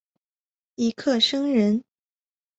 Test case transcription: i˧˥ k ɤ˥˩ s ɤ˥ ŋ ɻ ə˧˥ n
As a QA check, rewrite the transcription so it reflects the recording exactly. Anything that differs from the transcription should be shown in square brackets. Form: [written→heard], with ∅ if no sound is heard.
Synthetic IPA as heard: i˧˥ [k→kʰ] ɤ˥˩ [s→ʂ] ɤ˥ ŋ ɻ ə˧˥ n